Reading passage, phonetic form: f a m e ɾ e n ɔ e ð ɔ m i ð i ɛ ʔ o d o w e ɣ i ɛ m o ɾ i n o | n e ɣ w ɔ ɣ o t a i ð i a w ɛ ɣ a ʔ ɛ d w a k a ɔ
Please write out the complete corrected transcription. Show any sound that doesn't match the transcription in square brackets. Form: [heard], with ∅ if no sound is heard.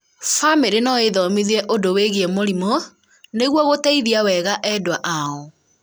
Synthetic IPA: f a m e ɾ e n ɔ e ð ɔ m i ð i ɛ ʔ o d o w e ɣ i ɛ m o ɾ i [m] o | n e ɣ w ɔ ɣ o t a i ð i a w ɛ ɣ a ʔ ɛ d w a [ʔ] a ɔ